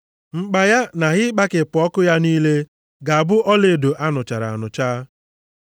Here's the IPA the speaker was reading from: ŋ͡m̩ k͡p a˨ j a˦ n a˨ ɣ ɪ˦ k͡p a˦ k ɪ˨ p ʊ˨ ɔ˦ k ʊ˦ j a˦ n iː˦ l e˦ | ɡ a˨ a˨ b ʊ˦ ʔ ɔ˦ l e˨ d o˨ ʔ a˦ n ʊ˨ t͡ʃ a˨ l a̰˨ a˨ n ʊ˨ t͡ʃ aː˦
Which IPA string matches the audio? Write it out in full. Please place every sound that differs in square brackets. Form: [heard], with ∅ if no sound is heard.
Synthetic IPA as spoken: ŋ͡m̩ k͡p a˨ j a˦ n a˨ ɣ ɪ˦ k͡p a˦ k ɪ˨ p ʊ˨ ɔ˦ k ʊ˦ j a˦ n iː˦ l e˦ | ɡ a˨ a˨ b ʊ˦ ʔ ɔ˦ l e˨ d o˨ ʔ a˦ n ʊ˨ t͡ʃ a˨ [ɾ] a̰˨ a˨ n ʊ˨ t͡ʃ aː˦